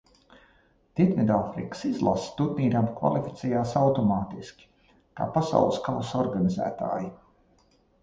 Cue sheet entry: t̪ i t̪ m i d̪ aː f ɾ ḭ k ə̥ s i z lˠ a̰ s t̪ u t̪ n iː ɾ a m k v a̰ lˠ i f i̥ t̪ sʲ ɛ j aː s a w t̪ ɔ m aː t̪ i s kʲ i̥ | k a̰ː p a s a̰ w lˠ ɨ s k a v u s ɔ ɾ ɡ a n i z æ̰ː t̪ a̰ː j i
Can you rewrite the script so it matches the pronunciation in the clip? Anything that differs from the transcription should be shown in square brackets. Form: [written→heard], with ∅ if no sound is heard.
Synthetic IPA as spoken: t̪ i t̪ m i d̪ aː f ɾ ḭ k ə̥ s i z lˠ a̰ s t̪ u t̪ n iː ɾ a m k v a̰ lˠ i f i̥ t̪ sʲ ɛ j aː s a w t̪ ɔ m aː t̪ i s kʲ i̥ | k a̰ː p a s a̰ w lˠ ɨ s k a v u s ɔ ɾ ɡ a n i z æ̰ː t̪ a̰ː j i

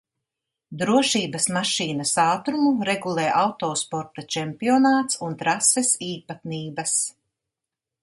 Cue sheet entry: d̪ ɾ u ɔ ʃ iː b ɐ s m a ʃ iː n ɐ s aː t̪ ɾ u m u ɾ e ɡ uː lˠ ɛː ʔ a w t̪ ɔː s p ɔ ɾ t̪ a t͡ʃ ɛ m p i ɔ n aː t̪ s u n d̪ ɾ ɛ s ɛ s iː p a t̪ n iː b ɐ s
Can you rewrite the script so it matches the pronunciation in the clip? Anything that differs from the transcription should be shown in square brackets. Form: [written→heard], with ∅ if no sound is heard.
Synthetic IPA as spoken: d̪ ɾ u ɔ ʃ iː b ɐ s m a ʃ iː n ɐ s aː t̪ ɾ u m u ɾ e ɡ [uː→u] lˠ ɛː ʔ a w t̪ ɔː s p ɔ ɾ t̪ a t͡ʃ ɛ m p i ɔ n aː t̪ s u n [d̪→t̪] ɾ [ɛ→a] s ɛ s iː p a t̪ n iː b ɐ s

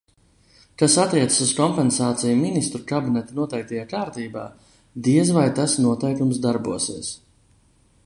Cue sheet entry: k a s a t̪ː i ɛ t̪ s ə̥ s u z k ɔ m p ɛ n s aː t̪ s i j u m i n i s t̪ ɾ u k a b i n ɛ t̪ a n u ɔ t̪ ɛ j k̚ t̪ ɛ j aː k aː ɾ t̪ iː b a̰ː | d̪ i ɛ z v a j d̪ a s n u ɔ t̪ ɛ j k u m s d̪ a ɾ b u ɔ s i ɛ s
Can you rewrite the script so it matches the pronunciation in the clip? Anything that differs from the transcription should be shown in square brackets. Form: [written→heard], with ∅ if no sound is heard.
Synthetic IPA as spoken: k a s a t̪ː i ɛ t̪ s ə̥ s u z k ɔ m p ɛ n s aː t̪ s i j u m i n i s t̪ ɾ u k a b i n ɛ t̪ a n u ɔ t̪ ɛ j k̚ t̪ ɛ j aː k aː ɾ t̪ iː b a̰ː | d̪ i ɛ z v a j [d̪→t̪] a s n u ɔ t̪ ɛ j k u m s d̪ a ɾ b u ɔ s i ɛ s

